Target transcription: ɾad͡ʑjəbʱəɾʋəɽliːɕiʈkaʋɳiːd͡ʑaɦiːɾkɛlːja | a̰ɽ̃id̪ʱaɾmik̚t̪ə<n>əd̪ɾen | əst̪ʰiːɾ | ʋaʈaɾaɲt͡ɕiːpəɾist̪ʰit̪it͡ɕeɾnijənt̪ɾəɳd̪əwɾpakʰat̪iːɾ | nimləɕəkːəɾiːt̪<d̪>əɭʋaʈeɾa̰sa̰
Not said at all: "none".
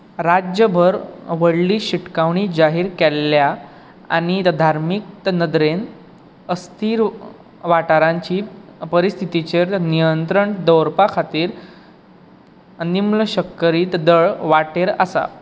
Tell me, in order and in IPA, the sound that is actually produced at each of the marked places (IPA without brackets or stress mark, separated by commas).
n, d̪